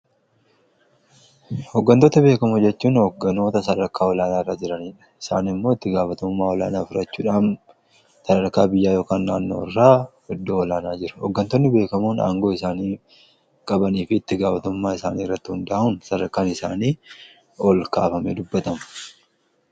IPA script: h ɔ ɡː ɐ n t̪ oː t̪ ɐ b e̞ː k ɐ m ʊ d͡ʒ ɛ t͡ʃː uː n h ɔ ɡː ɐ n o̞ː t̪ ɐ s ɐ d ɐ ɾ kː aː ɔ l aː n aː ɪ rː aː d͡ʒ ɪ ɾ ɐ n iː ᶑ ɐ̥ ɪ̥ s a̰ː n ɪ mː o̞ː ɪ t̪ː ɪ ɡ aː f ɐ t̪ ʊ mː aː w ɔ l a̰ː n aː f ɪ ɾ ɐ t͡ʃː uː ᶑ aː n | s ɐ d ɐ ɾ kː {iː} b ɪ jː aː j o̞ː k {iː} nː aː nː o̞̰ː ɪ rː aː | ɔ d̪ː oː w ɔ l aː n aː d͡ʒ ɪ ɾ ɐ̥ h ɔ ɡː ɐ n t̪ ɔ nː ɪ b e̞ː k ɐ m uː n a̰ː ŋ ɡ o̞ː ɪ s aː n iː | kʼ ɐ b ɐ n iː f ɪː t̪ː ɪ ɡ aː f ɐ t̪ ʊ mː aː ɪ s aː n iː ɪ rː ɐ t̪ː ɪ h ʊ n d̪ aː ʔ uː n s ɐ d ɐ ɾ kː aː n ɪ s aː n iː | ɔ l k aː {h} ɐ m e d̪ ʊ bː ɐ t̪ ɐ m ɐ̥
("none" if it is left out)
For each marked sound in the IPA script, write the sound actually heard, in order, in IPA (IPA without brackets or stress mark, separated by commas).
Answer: aː, aː, f